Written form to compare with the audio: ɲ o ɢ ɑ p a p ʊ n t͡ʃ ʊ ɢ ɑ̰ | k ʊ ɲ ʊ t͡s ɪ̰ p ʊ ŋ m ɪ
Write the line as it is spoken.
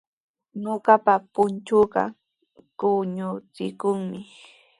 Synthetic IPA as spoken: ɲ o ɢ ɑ p a p ʊ n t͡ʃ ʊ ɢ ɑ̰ | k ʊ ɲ ʊ t͡s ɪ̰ k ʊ ŋ m ɪ